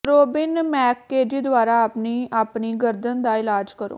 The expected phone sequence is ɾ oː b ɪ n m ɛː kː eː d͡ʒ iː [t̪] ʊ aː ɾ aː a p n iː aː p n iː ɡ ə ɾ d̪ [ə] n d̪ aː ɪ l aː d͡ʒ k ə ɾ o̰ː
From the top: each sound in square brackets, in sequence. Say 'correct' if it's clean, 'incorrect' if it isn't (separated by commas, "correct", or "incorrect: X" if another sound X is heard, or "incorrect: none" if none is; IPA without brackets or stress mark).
incorrect: d̪, correct